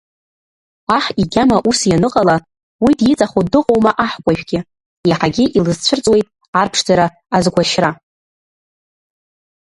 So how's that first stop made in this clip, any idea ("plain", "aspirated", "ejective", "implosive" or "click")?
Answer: plain